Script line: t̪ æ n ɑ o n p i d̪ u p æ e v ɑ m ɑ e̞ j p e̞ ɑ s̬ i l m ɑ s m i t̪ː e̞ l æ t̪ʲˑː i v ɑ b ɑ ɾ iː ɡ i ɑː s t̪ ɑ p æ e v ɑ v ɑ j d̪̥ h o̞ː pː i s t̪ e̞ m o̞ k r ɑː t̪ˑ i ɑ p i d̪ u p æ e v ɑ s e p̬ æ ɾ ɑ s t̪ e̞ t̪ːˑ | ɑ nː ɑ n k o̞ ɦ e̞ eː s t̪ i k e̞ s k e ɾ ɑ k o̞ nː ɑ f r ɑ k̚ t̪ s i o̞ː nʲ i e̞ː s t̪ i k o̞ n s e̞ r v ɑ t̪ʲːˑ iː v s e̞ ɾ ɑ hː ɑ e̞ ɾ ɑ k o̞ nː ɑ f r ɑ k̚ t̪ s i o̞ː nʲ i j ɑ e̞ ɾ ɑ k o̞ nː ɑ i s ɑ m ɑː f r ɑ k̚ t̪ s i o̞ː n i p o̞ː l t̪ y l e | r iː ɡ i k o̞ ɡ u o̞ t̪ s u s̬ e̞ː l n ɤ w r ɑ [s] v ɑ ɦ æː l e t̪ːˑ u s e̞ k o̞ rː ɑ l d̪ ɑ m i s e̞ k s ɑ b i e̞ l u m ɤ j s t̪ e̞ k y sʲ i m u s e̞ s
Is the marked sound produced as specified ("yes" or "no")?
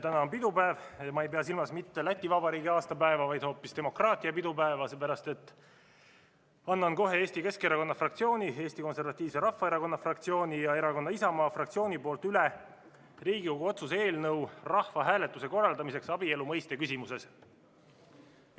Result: no